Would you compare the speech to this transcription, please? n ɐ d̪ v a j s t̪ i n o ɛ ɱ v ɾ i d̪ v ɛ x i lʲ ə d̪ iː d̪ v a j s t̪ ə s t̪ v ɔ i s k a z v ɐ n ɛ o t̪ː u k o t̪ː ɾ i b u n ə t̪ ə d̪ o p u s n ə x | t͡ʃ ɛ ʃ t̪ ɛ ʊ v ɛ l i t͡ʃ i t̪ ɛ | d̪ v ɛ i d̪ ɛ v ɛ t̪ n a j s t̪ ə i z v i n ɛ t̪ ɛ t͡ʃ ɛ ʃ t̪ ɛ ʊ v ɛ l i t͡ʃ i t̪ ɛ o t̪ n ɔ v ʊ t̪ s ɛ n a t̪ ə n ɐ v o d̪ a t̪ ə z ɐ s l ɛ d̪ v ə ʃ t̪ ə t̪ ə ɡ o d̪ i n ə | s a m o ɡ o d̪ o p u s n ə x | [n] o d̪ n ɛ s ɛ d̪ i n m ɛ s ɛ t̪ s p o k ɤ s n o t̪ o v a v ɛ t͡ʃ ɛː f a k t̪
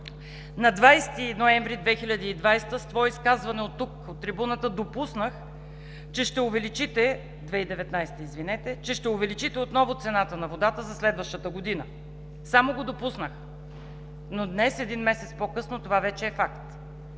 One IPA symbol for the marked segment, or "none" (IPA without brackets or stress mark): n